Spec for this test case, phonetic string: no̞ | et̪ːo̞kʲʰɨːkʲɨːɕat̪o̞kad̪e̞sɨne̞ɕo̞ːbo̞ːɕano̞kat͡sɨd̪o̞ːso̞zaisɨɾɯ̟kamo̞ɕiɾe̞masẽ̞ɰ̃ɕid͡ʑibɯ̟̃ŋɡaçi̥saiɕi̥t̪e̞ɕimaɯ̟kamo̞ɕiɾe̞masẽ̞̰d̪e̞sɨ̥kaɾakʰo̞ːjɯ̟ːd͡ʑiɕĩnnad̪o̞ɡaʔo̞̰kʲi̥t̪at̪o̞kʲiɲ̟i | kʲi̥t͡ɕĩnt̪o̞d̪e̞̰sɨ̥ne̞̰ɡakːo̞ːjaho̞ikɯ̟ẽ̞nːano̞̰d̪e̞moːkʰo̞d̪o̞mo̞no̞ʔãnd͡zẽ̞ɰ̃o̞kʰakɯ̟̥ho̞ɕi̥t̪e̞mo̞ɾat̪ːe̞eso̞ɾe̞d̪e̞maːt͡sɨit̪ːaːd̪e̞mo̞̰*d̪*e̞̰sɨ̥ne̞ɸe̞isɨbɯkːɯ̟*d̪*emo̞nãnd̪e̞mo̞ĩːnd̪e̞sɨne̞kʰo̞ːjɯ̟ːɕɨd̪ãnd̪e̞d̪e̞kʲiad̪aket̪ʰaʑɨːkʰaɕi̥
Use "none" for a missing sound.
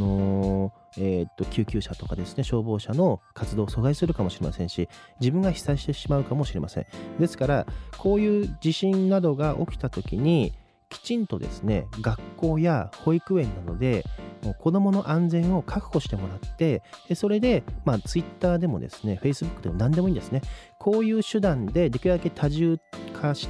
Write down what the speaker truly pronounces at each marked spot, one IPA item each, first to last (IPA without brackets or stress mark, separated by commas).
d̪, d̪